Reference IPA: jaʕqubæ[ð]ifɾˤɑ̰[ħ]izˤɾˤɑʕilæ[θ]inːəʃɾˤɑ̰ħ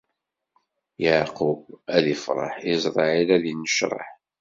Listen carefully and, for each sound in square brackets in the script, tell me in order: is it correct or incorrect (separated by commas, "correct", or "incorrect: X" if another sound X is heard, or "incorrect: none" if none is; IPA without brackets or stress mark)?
correct, correct, incorrect: ð